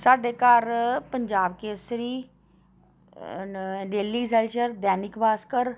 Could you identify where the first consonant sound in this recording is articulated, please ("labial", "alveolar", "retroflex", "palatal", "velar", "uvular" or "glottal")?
alveolar